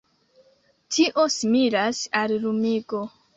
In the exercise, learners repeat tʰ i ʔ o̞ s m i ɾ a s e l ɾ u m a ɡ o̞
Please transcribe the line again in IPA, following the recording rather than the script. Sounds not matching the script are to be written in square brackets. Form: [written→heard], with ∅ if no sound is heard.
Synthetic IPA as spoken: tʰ i ʔ o̞ s m i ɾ a s [e→a] l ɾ u m [a→i] ɡ o̞